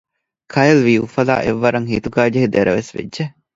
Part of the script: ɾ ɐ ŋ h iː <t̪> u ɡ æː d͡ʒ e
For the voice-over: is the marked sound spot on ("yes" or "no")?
yes